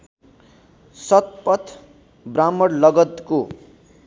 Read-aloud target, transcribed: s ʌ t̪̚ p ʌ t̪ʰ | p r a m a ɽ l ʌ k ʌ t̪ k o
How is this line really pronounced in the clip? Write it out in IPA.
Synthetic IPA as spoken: s ʌ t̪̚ p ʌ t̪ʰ | b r a m ʌ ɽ l ʌ ɡ ʌ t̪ k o